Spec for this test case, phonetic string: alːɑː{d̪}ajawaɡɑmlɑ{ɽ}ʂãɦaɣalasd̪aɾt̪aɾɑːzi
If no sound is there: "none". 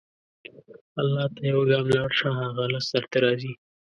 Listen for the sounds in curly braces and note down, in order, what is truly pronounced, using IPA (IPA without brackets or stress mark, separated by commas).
t̪, ɽ